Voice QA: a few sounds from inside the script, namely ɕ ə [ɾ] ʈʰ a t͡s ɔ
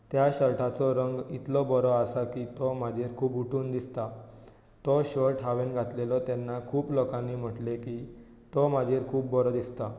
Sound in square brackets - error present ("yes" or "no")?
no